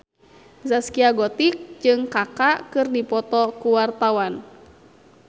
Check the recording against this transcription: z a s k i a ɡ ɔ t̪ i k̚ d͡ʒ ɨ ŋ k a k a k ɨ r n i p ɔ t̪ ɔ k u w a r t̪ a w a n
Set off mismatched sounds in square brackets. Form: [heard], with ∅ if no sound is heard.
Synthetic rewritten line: z a s k i a ɡ ɔ t̪ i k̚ d͡ʒ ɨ ŋ k a k a k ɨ r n i p ɔ t̪ ɔ k u w a r t̪ a w a n